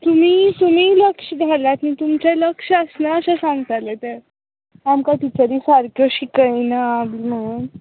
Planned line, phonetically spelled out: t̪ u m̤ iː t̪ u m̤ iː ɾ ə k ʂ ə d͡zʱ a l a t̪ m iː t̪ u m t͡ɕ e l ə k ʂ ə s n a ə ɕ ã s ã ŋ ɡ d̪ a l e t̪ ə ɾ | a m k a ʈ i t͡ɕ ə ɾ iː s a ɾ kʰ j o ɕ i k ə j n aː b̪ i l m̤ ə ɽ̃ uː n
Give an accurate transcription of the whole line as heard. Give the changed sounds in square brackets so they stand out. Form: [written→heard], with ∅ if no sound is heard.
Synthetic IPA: t̪ u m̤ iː t̪ u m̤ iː [ɾ→l] ə k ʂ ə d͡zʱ a l a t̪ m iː t̪ u m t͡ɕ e l ə k ʂ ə s n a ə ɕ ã s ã ŋ ɡ [d̪→t̪] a l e t̪ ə ɾ | a m k a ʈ i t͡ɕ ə ɾ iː s a ɾ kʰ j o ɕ i k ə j n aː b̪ i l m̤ ə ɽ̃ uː n